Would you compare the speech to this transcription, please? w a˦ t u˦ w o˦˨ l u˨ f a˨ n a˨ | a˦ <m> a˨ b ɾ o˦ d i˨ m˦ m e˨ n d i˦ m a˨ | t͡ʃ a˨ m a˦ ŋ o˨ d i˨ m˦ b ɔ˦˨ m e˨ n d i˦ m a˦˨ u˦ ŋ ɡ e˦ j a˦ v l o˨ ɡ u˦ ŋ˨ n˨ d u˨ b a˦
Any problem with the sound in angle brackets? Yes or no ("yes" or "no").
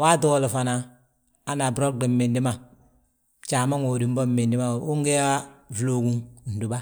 yes